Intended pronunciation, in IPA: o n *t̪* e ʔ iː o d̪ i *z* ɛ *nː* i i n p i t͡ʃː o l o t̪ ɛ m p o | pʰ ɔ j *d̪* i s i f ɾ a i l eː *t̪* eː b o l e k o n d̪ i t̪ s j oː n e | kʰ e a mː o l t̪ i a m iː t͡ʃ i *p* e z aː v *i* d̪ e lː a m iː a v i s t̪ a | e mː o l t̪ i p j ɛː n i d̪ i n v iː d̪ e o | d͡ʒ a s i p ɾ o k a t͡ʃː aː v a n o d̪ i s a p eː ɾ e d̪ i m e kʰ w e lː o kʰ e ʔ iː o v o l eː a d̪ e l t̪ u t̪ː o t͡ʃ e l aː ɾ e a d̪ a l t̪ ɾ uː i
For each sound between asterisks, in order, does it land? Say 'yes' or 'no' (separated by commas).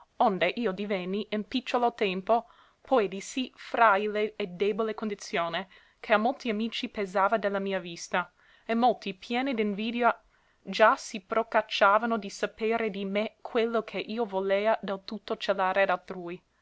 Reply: no, no, yes, yes, no, yes, no